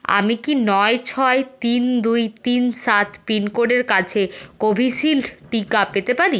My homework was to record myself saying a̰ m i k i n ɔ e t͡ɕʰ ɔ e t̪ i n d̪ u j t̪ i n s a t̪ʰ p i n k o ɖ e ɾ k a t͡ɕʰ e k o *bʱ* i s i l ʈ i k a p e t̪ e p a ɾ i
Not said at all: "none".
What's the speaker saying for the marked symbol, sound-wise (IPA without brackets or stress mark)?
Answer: bʱ